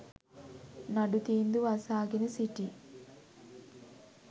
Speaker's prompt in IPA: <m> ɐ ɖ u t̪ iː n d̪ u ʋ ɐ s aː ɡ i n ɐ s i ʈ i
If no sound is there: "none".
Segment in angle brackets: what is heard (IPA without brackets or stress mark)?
n